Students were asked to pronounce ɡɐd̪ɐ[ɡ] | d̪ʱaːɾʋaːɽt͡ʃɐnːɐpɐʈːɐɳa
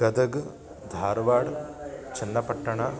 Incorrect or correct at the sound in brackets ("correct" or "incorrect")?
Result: correct